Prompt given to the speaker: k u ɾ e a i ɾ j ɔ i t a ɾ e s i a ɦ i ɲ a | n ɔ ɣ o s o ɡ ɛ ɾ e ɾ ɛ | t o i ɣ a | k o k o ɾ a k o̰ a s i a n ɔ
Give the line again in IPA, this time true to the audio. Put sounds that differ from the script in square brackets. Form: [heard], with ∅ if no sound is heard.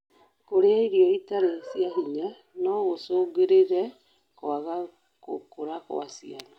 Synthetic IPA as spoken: k [o] ɾ e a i ɾ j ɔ i t a ɾ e s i a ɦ i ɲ a | n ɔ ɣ o s o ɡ [e] ɾ e ɾ ɛ | [k] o [a] ɣ a | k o k o ɾ a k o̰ a s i a n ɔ